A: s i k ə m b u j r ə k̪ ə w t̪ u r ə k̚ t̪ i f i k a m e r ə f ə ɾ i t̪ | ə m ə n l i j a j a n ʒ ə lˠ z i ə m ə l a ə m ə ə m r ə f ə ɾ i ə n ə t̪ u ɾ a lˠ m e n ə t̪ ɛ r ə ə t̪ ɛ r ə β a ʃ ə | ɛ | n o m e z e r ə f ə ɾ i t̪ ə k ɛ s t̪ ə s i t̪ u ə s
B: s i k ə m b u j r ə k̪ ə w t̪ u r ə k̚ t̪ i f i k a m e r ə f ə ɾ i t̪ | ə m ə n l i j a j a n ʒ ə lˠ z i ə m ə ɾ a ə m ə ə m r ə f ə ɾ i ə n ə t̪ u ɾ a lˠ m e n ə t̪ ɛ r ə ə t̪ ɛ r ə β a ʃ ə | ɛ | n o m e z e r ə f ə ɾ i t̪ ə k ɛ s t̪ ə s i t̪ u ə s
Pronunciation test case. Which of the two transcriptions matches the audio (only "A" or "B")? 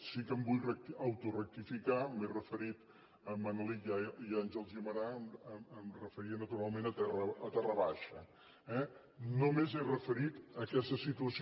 B